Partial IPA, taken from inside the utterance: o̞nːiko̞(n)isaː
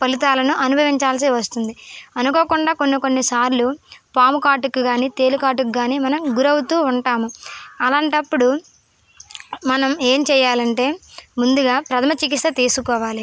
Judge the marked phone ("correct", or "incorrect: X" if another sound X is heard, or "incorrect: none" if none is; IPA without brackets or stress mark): incorrect: nː